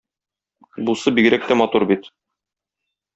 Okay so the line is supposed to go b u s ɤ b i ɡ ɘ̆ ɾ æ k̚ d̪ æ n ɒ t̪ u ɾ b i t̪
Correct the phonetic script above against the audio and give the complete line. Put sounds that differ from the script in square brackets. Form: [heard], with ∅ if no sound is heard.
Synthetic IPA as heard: b u s ɤ b i ɡ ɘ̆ ɾ æ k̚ [t̪] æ [m] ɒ t̪ u ɾ b i t̪